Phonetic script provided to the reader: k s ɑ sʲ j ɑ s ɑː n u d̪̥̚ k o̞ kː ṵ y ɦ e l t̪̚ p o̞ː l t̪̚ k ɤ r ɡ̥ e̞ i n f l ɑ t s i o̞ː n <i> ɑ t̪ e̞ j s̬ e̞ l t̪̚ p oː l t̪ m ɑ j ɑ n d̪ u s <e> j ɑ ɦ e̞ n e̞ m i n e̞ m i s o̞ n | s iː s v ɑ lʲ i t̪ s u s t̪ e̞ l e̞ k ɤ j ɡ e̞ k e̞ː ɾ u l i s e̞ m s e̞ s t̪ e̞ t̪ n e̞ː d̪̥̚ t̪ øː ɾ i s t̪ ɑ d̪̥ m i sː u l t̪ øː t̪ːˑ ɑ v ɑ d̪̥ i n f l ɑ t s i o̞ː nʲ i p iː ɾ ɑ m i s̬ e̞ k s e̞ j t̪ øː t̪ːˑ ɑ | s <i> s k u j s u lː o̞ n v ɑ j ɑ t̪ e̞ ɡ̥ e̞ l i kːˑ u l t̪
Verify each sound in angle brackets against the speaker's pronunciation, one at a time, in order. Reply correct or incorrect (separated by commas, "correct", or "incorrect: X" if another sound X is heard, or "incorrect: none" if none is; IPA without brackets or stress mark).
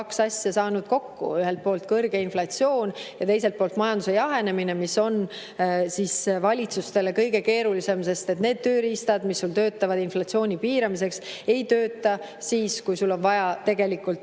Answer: incorrect: j, correct, incorrect: iː